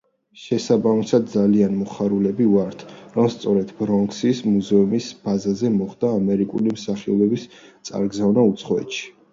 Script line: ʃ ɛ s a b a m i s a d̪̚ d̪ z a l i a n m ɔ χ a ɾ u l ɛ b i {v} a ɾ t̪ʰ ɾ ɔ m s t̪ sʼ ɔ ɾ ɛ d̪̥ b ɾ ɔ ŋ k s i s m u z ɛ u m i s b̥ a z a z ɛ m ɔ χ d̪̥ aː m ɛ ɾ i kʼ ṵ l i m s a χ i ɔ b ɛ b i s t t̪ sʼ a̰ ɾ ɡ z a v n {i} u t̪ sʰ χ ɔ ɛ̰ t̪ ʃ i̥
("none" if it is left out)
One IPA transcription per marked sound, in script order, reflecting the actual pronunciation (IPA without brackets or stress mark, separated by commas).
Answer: v, a